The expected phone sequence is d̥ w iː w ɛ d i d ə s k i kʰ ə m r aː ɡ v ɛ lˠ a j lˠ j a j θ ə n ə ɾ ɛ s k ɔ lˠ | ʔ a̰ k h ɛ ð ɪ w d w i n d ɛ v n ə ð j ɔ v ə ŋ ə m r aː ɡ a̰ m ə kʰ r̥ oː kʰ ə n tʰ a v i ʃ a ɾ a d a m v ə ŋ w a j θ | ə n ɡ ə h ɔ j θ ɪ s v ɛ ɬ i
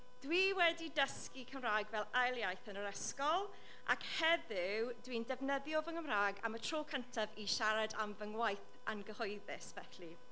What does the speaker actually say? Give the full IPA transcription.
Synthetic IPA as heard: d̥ w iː w ɛ d i d ə s k i kʰ ə m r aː ɡ v ɛ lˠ a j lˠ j a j θ ə n ə ɾ ɛ s k ɔ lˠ | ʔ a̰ k h ɛ ð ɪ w d w i n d ɛ v n ə ð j ɔ v ə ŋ ə m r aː ɡ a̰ m ə tʰ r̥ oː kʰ ə n tʰ a v i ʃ a ɾ a d a m v ə ŋ w a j θ | a n ɡ ə h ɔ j ð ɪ s v ɛ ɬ i